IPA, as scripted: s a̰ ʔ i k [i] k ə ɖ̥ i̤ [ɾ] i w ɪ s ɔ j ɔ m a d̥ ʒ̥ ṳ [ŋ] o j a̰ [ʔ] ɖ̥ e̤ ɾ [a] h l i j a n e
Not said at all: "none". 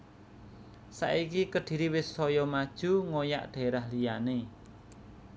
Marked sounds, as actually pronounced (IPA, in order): i, ɾ, ŋ, ʔ, a

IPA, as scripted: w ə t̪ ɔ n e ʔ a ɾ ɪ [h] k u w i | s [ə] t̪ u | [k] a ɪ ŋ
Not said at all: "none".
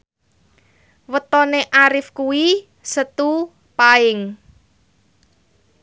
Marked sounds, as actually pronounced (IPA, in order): f, ə, p

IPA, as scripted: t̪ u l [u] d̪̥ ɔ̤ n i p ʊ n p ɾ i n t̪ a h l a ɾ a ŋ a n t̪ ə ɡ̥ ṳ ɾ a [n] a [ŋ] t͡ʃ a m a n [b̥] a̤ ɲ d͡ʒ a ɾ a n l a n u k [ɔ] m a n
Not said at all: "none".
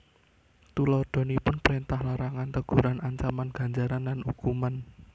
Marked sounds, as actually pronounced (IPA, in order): ɔ, n, ɲ, ɡ̥, u

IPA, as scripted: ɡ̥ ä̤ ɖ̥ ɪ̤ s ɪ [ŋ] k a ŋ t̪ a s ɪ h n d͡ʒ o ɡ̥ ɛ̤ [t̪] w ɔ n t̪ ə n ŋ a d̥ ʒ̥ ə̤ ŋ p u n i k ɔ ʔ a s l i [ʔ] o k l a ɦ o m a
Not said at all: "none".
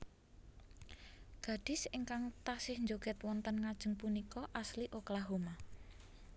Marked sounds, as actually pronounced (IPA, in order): ŋ, t̪, ʔ

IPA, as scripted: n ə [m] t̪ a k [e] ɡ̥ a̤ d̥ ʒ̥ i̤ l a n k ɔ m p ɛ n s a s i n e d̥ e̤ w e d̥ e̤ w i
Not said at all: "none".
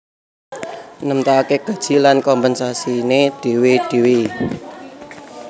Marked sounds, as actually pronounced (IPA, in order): m, e

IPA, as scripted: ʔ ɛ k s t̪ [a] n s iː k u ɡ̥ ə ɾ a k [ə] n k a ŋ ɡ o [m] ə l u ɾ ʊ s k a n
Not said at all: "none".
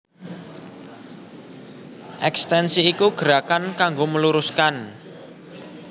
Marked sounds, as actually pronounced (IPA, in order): ɛ, a, m

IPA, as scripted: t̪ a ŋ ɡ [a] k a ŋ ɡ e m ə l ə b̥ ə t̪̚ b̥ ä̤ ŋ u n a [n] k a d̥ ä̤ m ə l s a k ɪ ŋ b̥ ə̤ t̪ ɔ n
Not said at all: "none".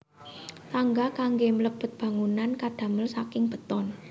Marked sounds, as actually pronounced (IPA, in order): a, n

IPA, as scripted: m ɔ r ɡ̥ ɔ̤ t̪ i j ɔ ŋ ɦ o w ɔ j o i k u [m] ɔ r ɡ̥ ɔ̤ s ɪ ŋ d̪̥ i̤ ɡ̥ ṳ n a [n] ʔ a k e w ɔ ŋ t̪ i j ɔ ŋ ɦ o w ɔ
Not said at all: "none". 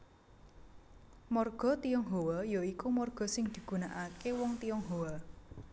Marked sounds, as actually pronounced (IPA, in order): m, none

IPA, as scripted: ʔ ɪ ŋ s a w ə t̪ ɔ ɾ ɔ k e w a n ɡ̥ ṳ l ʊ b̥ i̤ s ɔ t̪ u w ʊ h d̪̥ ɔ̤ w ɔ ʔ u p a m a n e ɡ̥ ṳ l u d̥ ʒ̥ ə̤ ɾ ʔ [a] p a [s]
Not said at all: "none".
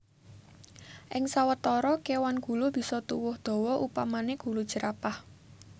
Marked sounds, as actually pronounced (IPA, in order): a, h

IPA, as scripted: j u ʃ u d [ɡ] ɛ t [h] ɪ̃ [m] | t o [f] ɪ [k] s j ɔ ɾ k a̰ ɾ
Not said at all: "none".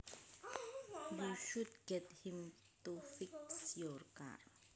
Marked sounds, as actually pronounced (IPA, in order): ɡ, h, m, f, k

